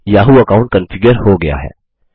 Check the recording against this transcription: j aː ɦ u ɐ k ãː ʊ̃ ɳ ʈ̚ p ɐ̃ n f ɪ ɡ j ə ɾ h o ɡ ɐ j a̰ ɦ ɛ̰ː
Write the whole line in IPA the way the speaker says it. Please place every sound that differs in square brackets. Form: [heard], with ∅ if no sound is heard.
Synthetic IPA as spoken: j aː ɦ u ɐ k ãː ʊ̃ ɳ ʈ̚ [k] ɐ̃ n f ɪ ɡ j ə ɾ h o ɡ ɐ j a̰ ɦ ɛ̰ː